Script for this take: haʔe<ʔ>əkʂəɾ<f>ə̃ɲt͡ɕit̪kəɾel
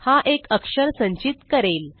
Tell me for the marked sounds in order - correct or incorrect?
incorrect, incorrect

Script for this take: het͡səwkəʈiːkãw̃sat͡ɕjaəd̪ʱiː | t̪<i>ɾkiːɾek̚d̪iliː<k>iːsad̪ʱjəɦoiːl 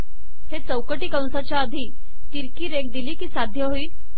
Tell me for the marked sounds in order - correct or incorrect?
correct, correct

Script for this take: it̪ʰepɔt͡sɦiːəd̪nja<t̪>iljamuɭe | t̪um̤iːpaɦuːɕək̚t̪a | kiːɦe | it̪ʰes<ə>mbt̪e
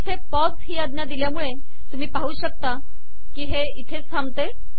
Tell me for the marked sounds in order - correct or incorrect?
incorrect, incorrect

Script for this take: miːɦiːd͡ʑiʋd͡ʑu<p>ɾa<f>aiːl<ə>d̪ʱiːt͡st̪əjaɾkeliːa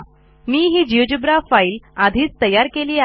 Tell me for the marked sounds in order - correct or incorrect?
incorrect, correct, incorrect

